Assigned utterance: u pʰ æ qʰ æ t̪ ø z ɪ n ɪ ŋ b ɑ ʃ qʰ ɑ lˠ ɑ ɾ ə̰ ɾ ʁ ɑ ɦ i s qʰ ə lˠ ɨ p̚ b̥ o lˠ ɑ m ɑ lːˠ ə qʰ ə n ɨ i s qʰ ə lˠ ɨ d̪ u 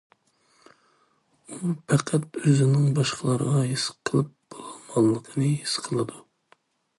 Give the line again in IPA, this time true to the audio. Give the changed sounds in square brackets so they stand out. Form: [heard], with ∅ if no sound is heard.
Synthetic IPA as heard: u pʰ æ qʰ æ t̪ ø z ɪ n ɪ ŋ b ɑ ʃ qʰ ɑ lˠ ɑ ɾ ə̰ [∅] ʁ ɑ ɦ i s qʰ ə lˠ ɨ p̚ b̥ o lˠ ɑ m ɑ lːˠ ə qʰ ə n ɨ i s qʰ ə lˠ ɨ d̪ u